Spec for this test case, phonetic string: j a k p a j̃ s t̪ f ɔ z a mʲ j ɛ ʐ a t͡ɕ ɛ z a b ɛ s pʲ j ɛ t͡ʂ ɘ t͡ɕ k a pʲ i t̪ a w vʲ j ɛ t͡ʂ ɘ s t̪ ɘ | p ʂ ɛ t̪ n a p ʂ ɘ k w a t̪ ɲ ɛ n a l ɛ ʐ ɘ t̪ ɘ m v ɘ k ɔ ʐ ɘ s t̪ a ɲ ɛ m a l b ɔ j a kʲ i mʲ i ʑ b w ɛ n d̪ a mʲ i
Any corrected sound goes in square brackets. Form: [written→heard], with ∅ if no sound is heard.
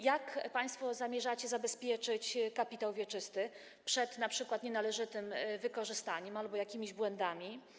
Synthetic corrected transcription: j a k p a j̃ s t̪ f ɔ z a mʲ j ɛ ʐ a t͡ɕ ɛ z a b ɛ s pʲ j ɛ t͡ʂ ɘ t͡ɕ k a pʲ i t̪ a w vʲ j ɛ t͡ʂ ɘ s t̪ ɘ | p ʂ ɛ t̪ n a p ʂ ɘ k w a t̪ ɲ ɛ n a l ɛ ʐ ɘ t̪ ɘ m v ɘ k ɔ ʐ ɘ s t̪ a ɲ ɛ m a l b ɔ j a kʲ i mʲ i ʑ b w ɛ n d̪ a mʲ i